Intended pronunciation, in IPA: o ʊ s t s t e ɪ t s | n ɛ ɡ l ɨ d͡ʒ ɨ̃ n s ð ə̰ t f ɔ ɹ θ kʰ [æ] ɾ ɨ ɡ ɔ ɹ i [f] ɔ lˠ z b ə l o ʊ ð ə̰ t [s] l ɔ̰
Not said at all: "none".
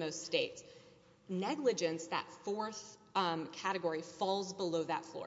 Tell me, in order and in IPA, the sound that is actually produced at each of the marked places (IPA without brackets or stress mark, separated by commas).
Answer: æ, f, f